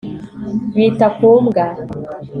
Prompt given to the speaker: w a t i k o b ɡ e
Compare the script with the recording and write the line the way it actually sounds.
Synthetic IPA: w i t a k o m ɡ a